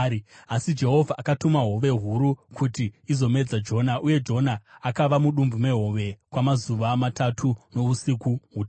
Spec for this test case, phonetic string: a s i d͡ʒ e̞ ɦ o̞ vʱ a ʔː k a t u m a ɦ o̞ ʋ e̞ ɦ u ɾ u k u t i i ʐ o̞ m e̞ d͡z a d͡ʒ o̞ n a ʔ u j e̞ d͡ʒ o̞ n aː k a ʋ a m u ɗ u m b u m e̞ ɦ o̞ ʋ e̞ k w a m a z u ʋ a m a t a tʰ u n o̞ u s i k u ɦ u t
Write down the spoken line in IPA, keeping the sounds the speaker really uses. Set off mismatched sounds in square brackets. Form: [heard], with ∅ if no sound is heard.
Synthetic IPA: a s i d͡ʒ e̞ ɦ o̞ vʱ a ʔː k a t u m a ɦ o̞ ʋ e̞ ɦ u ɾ u k u t i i [z] o̞ m e̞ d͡z a d͡ʒ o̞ n a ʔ u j e̞ d͡ʒ o̞ n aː k a ʋ a m u ɗ u m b u m e̞ ɦ o̞ ʋ e̞ k w a m a z u ʋ a m a t a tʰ u n o̞ u s i k u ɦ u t